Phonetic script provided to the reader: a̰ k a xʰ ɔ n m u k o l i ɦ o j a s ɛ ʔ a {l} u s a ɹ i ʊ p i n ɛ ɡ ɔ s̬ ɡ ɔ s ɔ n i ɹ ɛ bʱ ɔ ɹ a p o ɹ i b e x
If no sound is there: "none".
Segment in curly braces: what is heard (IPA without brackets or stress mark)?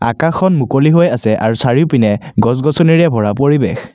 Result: ɹ